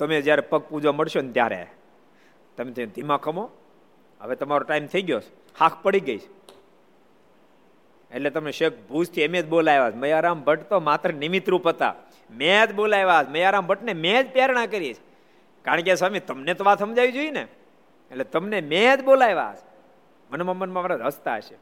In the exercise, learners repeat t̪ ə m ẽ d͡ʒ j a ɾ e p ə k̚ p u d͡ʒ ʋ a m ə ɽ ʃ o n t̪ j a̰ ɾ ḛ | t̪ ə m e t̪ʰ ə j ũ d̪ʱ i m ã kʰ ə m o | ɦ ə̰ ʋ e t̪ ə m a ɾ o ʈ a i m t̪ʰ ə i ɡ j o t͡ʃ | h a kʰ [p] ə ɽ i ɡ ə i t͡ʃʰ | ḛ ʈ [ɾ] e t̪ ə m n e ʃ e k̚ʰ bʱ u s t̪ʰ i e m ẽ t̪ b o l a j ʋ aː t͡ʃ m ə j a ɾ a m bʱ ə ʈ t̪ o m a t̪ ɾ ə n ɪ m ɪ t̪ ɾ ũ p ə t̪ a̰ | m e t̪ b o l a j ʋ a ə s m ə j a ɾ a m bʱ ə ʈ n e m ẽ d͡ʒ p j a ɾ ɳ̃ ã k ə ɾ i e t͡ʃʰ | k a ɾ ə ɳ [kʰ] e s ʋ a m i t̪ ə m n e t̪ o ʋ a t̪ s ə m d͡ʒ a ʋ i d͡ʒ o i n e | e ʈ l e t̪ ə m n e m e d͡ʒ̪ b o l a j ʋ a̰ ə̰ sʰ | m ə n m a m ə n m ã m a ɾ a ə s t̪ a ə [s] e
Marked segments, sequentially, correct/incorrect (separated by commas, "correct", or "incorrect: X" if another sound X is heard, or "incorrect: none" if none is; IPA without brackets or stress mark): correct, incorrect: l, incorrect: k, incorrect: ʃ